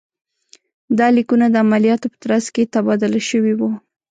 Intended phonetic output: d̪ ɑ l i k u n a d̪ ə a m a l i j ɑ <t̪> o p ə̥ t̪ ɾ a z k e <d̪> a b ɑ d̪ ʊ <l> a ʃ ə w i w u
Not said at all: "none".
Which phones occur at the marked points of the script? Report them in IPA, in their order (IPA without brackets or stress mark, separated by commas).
t̪, t̪, l